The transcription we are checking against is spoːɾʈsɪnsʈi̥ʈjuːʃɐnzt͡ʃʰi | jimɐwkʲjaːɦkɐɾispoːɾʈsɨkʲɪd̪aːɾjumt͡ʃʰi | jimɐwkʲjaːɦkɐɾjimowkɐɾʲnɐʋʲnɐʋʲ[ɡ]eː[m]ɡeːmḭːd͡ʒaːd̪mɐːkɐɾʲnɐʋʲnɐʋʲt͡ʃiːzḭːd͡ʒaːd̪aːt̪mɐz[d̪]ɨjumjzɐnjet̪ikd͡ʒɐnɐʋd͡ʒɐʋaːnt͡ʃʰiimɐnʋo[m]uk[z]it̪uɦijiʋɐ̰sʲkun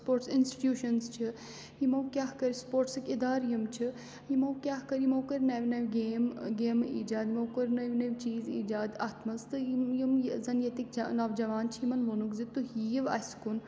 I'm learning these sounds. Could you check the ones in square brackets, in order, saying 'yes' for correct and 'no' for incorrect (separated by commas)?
yes, yes, no, no, yes